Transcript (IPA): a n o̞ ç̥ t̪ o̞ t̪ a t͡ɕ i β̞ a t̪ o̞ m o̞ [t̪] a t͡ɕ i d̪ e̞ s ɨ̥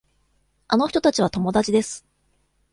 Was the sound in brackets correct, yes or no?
no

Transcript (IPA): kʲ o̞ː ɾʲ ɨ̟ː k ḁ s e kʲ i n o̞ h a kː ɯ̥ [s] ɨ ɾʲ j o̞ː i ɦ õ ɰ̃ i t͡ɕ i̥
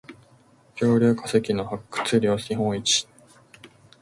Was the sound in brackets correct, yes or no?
no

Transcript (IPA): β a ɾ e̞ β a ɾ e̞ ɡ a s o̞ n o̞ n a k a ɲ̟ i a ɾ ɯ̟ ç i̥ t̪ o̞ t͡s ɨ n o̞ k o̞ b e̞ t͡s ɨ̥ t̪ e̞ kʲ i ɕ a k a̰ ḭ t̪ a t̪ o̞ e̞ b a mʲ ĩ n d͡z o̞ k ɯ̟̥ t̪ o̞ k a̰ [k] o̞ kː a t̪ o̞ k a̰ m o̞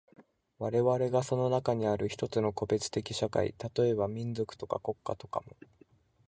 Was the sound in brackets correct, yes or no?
yes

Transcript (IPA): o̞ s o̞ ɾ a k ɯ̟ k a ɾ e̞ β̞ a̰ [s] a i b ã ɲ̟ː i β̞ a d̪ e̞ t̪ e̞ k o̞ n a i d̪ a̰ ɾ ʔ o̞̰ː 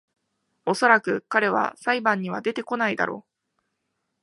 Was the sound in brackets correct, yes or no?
yes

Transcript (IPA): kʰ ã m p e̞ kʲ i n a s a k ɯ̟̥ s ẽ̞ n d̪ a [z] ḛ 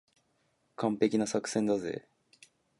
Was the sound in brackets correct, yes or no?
yes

